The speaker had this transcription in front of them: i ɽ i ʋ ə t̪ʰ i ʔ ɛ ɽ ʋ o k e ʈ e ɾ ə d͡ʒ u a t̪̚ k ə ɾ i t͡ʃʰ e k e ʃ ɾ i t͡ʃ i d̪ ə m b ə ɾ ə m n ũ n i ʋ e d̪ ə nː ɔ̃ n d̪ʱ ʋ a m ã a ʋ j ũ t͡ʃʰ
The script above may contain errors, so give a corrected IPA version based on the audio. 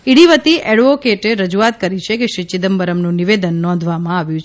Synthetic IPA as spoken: i ɽ i ʋ ə t̪ i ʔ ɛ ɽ ʋ o k e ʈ e ɾ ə d͡ʒ u a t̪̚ k ə ɾ i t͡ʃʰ e k e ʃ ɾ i t͡ʃ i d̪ ə m b ə ɾ ə m n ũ n i ʋ e d̪ ə nː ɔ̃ n d̪ʱ ʋ a m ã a ʋ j ũ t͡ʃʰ